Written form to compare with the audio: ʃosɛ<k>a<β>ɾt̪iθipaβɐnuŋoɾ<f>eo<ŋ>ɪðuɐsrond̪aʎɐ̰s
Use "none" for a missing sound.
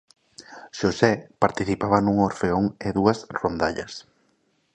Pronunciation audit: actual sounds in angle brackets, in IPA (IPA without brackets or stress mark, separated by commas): p, none, f, ŋ